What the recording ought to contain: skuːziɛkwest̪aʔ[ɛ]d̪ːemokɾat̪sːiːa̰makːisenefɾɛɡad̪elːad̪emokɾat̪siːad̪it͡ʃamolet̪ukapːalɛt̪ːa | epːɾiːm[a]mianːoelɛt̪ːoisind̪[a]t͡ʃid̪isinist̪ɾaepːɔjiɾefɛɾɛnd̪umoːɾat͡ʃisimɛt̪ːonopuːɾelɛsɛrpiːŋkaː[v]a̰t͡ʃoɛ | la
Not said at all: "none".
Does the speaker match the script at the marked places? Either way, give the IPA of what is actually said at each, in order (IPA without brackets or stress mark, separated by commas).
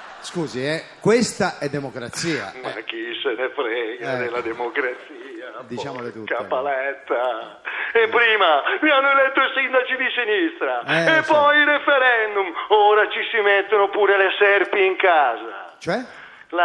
ɛ, a, a, z